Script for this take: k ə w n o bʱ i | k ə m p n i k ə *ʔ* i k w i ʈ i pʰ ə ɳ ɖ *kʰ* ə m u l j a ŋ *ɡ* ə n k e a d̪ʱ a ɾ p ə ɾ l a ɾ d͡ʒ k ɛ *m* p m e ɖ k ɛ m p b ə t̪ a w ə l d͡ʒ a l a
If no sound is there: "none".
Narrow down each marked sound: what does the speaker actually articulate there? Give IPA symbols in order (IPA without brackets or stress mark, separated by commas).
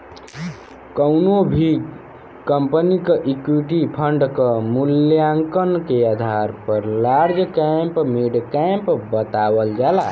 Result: ʔ, k, k, m